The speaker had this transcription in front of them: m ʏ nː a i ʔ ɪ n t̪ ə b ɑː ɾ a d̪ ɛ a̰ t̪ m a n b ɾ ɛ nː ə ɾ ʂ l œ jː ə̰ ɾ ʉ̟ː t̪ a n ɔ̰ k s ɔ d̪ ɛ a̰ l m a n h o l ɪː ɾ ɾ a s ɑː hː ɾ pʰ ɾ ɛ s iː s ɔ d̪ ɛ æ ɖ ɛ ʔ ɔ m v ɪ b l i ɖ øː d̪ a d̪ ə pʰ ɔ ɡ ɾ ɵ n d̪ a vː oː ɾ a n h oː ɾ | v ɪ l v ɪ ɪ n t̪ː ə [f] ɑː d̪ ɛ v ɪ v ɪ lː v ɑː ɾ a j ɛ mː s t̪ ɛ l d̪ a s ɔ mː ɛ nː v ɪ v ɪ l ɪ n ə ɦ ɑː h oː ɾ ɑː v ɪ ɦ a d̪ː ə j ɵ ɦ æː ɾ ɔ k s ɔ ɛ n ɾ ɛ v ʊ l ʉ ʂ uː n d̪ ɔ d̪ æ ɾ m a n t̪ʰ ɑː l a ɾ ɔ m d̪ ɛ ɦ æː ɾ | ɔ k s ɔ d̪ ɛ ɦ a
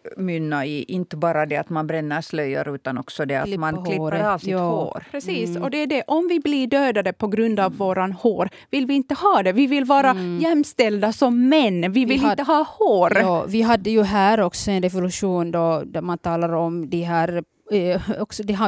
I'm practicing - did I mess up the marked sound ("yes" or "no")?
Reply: yes